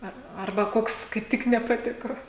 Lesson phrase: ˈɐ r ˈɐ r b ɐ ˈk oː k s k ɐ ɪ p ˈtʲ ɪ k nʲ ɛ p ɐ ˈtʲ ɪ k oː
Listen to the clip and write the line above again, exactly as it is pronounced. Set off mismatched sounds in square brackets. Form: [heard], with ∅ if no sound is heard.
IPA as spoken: ˈɐ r ˈɐ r b ɐ ˈk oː k s k ɐ ɪ p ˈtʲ ɪ k nʲ ɛ p ɐ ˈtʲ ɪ k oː